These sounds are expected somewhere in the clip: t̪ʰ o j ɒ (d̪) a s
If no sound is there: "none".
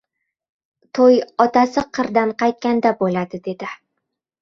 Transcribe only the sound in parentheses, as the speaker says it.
t̪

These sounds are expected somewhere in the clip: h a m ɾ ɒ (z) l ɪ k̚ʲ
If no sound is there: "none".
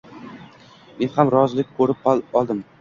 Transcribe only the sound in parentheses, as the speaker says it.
z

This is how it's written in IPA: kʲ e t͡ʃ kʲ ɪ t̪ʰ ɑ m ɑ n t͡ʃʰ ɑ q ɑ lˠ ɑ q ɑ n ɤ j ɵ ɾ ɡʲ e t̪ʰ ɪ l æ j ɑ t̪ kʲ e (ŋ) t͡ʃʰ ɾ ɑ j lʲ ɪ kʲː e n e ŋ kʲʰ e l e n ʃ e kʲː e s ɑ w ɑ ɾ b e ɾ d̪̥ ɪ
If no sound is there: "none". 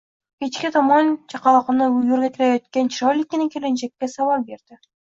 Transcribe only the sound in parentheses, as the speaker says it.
n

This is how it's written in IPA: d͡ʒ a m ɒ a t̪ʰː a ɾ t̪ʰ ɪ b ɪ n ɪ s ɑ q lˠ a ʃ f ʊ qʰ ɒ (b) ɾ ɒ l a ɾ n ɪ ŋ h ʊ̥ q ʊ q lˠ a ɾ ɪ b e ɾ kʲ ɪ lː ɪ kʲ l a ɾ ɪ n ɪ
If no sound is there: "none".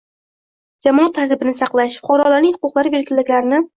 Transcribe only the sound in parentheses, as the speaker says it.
none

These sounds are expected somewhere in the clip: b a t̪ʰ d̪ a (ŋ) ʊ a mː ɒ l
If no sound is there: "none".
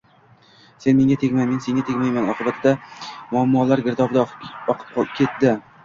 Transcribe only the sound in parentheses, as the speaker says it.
m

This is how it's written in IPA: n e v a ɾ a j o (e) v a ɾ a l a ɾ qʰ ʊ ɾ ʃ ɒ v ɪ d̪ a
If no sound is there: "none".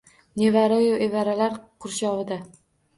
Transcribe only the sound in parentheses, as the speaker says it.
e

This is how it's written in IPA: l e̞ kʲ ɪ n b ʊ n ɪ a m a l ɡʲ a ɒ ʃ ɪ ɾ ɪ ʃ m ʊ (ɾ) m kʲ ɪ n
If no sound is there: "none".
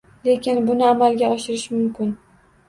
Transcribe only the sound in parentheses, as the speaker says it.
none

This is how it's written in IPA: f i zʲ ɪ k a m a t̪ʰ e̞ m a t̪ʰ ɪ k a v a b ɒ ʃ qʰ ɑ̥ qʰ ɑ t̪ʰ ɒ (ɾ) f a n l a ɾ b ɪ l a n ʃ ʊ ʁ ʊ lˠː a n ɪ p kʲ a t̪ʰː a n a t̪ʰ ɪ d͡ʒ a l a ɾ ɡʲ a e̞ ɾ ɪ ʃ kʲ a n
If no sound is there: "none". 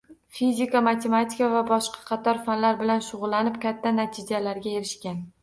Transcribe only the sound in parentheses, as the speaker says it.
ɾ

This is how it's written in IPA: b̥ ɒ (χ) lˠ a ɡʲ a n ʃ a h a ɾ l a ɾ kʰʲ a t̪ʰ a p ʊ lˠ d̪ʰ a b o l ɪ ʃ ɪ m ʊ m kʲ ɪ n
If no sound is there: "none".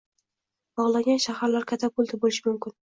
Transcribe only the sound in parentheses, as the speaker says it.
ʁ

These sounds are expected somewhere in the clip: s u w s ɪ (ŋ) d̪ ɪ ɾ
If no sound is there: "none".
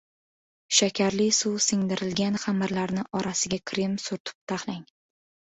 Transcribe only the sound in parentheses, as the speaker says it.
ŋ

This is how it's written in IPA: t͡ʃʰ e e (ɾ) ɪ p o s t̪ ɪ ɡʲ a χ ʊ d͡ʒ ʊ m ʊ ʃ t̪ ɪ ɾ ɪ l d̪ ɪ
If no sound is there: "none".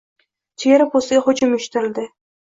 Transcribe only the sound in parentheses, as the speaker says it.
ɾ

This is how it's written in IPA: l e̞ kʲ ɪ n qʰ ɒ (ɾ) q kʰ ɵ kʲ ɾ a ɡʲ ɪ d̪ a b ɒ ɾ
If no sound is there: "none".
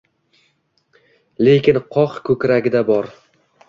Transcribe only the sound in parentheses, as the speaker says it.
none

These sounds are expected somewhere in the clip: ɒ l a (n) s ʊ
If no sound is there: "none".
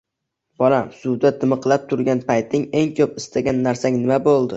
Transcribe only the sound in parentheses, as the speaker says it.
m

